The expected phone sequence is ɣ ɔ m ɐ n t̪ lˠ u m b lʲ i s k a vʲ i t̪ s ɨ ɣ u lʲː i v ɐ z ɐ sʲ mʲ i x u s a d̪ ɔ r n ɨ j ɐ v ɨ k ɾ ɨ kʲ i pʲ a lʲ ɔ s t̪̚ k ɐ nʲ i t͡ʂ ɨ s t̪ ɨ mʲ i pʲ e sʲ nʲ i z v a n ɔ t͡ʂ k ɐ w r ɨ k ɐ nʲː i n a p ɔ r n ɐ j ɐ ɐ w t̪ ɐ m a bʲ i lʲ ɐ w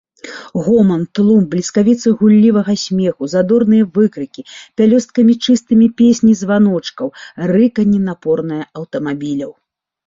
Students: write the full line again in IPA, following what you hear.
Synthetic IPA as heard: ɣ ɔ m ɐ n t̪ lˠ u m b lʲ i s k a vʲ i t̪ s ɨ ɣ u lʲː i v ɐ ɣ ɐ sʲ mʲ ɛ x u z a d̪ ɔ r n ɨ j ɐ v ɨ k ɾ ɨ kʲ i pʲ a lʲ ɔ s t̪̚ k ɐ mʲ i t͡ʂ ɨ s t̪ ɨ mʲ i pʲ e sʲ nʲ i z v a n ɔ t͡ʂ k ɐ w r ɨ k ɐ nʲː i n a p ɔ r n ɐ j ɐ ɐ w t̪ ɐ m a bʲ i lʲ ɐ w